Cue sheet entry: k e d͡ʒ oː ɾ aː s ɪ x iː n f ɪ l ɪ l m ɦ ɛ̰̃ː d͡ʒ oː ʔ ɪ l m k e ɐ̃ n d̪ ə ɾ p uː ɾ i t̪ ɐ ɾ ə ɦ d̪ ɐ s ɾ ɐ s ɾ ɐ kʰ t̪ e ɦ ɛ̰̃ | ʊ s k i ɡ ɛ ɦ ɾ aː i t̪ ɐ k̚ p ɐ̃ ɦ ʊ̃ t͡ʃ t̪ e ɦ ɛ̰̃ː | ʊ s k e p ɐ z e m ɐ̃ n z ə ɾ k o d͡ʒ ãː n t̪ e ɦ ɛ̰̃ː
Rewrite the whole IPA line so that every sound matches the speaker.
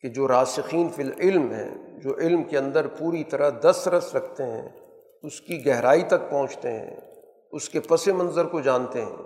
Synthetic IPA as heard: k e d͡ʒ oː ɾ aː s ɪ x iː n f ɪ l ɪ l m ɦ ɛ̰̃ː d͡ʒ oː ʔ ɪ l m k e ɐ̃ n d̪ ə ɾ p uː ɾ i t̪ ɐ ɾ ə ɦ d̪ ɐ s ɾ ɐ s ɾ ɐ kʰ t̪ e ɦ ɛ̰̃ | ʊ s k i ɡ ɛ ɦ ɾ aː i t̪ ɐ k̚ p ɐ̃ ɦ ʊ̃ t͡ʃ t̪ e ɦ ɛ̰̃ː | ʊ s k e p ɐ s e m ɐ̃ n z ə ɾ k o d͡ʒ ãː n t̪ e ɦ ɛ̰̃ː